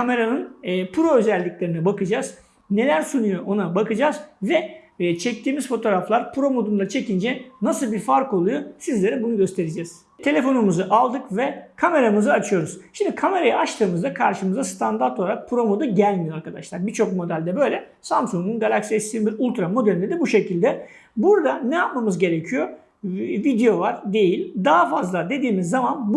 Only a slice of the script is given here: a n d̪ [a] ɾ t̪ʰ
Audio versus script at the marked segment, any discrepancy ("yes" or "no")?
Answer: no